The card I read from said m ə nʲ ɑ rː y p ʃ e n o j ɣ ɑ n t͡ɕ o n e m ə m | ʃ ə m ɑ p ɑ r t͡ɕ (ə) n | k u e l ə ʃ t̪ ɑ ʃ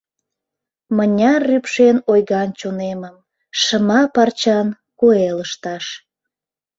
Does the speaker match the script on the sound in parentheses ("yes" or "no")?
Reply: no